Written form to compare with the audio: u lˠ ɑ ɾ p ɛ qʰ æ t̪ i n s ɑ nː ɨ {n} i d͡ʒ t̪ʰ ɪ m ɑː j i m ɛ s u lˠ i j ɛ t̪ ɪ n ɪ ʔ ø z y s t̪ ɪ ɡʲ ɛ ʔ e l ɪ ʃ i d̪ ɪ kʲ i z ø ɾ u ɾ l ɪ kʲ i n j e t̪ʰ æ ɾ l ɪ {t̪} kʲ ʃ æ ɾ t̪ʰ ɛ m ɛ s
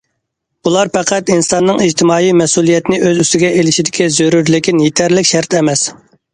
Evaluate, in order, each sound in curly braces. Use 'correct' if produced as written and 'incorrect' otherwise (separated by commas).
incorrect, incorrect